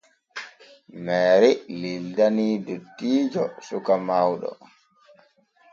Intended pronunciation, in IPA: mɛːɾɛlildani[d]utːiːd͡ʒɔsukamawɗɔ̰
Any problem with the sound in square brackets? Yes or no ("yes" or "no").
no